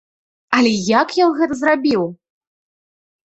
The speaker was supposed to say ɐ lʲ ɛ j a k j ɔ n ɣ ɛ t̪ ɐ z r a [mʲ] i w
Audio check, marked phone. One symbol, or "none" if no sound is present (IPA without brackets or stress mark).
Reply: bʲ